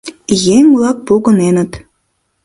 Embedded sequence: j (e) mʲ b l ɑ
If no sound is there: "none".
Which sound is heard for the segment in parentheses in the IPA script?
e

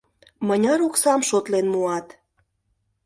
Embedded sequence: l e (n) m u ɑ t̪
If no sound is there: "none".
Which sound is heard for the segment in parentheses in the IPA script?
n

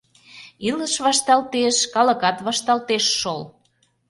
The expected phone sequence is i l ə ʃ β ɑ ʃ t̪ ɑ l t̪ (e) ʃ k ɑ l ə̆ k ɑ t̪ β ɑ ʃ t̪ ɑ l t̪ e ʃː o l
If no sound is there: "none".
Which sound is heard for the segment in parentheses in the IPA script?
e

